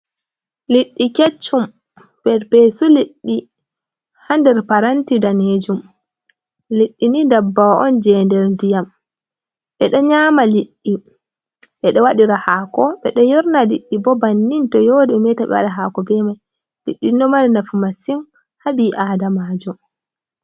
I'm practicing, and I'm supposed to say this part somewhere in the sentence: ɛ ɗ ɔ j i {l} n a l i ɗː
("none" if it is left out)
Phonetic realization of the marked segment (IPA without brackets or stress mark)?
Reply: ɾ